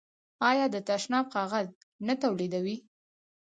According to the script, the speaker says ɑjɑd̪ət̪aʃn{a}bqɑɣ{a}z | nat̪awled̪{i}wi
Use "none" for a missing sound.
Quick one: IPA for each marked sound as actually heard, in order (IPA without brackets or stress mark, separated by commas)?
ɑ, a, a